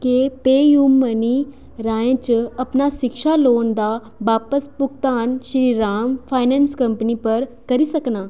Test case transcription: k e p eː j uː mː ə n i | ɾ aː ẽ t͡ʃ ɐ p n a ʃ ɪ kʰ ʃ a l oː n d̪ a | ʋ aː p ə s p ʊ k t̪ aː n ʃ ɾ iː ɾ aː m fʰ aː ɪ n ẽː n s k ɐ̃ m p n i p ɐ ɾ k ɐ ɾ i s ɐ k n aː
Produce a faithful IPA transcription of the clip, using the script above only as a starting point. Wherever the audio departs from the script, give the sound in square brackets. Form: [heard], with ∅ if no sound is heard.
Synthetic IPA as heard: k e p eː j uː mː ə n i | ɾ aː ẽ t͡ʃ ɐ p n a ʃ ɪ [k] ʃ a l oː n d̪ a | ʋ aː p ə s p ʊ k t̪ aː n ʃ ɾ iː ɾ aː m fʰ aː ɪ n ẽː n s k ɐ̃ m p n i p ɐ ɾ k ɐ ɾ i s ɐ k n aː

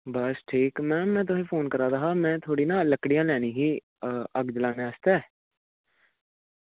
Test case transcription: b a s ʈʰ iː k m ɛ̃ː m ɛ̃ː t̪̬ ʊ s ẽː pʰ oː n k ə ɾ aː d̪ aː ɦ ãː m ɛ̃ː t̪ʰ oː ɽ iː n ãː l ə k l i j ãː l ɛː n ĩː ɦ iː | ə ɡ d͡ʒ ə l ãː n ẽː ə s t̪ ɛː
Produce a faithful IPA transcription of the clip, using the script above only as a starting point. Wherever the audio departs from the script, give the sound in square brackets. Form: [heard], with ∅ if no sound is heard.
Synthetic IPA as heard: b [ə] s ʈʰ iː k m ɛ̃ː m ɛ̃ː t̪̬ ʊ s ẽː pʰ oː n k ə ɾ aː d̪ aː ɦ [aː] m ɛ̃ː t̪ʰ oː ɽ iː n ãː l ə k [ɽ] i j ãː l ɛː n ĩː ɦ iː | ə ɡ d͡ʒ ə l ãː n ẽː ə s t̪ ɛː

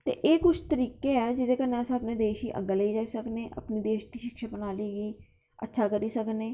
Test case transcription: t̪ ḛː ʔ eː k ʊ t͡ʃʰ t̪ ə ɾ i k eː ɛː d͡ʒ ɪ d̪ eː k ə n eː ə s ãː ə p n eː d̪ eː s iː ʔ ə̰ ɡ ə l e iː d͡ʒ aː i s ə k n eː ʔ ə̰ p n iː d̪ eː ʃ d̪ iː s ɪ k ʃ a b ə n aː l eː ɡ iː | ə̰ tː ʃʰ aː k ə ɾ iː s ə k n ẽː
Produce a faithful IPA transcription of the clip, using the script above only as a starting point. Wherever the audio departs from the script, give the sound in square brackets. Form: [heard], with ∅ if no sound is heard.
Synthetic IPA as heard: t̪ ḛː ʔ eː k ʊ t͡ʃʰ t̪ ə ɾ [iː] k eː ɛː d͡ʒ ɪ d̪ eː k ə n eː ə s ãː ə p n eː d̪ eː [ʃ] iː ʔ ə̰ ɡ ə l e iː d͡ʒ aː i s ə k n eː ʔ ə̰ p n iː d̪ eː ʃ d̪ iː [ʃ] ɪ k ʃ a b ə n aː l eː ɡ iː | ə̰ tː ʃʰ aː k ə ɾ iː s ə k n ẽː

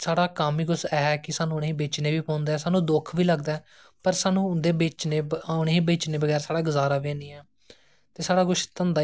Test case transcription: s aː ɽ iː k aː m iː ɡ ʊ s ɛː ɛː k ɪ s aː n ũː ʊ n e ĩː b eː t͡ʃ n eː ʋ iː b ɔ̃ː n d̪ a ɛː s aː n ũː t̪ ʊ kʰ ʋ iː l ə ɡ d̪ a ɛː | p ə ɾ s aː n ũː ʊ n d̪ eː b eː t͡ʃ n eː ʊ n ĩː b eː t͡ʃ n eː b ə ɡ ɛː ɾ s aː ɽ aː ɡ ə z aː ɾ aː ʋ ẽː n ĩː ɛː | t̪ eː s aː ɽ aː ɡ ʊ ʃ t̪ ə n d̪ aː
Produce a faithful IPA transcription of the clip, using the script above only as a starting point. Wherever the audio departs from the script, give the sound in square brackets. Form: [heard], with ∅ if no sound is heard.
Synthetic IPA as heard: s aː ɽ [aː] k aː m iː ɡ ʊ s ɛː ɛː k ɪ s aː n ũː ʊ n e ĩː b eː t͡ʃ n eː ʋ iː [p] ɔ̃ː n d̪ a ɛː s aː n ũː [d̪] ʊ kʰ ʋ iː l ə ɡ d̪ a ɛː | p ə ɾ s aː n ũː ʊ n d̪ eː b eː t͡ʃ n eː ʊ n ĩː b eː t͡ʃ n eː b ə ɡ ɛː ɾ s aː ɽ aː ɡ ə z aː ɾ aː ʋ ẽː n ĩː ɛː | t̪ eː s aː ɽ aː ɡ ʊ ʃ t̪ ə n d̪ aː

